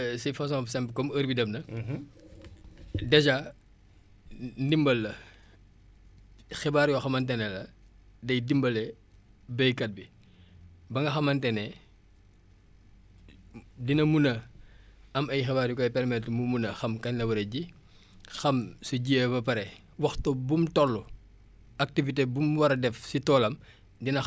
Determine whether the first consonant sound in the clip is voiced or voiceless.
voiceless